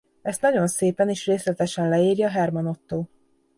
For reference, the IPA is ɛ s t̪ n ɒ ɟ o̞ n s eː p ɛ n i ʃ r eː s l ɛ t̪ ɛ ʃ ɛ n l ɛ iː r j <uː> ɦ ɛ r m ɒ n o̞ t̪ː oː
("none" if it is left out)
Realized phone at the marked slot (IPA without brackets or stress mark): ɒː